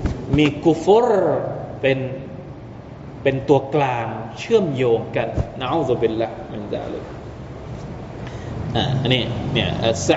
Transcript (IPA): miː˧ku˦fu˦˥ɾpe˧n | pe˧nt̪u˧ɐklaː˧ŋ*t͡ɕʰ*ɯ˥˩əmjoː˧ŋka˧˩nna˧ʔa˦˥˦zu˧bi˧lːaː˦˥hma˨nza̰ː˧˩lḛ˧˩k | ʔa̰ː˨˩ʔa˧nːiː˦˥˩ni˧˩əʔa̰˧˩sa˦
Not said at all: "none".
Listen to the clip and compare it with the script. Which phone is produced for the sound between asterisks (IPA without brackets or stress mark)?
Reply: t͡ɕʰ